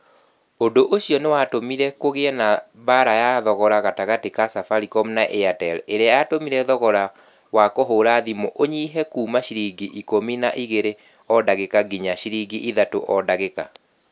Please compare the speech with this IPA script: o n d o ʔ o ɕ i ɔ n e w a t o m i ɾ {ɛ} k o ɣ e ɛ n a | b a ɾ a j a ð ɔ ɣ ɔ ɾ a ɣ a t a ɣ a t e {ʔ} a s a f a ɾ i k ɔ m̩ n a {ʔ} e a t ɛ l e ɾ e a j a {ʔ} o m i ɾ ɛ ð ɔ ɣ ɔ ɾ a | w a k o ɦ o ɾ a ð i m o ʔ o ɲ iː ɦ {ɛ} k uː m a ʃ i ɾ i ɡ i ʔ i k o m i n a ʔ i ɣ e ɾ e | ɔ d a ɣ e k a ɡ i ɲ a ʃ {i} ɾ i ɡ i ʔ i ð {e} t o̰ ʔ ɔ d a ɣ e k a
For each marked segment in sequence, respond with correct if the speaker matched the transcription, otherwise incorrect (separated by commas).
correct, incorrect, correct, incorrect, correct, correct, incorrect